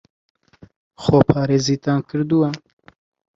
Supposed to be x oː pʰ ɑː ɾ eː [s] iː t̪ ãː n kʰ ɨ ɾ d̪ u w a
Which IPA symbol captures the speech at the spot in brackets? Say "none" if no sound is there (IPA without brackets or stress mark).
z